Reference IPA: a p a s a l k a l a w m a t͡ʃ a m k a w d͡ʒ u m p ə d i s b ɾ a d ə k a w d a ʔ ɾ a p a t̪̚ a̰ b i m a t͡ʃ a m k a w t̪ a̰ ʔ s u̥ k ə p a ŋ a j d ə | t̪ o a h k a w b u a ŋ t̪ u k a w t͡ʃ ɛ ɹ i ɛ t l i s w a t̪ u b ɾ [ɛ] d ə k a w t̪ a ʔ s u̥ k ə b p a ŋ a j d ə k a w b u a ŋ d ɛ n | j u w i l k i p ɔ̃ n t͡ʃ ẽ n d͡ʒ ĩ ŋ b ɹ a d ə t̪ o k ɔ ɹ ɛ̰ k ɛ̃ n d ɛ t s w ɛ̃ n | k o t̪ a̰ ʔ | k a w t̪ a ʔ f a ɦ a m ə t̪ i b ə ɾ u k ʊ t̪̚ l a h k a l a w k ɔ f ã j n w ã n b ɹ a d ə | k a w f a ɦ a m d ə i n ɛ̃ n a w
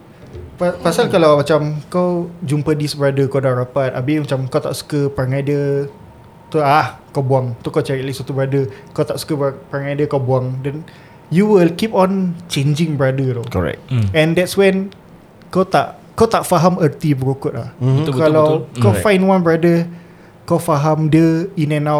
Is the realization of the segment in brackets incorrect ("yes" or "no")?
yes